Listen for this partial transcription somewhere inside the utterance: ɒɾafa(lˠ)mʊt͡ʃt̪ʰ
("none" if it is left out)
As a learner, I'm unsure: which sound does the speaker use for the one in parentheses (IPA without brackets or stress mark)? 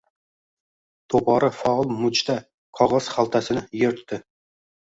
lˠ